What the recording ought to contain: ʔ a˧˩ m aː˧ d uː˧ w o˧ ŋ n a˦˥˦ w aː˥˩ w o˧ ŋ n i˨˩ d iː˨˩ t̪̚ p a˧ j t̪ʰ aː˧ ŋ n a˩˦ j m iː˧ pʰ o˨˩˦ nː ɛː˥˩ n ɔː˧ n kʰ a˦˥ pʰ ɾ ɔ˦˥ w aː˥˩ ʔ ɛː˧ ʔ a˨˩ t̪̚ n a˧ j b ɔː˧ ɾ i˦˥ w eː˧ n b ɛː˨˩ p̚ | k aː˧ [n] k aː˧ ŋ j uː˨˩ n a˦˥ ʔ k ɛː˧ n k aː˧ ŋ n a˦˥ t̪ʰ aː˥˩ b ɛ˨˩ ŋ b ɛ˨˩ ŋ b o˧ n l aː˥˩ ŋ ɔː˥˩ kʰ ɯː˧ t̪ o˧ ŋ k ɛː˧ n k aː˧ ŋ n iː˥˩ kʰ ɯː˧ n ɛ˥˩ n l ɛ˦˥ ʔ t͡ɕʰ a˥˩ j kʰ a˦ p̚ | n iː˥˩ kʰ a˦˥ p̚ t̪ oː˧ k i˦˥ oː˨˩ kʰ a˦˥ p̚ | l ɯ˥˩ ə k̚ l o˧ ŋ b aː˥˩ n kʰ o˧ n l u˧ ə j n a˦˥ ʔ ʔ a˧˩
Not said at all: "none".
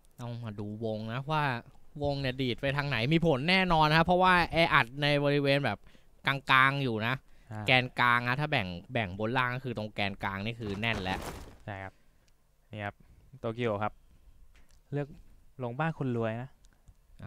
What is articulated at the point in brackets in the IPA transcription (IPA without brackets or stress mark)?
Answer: ŋ